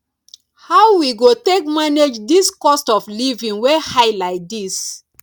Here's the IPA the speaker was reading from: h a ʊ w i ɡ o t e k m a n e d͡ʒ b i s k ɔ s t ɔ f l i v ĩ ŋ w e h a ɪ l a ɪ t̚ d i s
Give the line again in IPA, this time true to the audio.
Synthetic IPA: h a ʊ w i ɡ o t e k m a n e d͡ʒ d i s k ɔ s t ɔ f l i v ĩ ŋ w e h a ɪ l a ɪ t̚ d i s